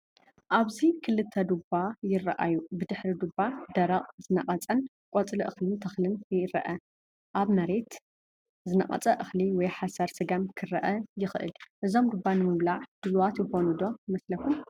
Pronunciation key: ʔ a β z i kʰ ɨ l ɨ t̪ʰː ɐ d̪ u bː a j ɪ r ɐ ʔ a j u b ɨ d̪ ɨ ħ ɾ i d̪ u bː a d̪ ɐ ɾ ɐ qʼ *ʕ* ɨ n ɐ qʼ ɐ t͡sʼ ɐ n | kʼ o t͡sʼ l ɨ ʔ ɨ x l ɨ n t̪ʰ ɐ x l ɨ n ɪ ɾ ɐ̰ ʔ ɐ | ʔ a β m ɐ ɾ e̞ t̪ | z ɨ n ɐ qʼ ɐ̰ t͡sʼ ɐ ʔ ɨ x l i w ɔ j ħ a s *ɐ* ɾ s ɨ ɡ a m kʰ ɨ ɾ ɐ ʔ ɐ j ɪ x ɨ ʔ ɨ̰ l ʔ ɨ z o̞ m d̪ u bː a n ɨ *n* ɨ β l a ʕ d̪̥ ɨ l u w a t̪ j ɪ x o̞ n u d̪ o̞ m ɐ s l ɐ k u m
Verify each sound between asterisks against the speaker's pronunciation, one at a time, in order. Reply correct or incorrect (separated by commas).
incorrect, correct, incorrect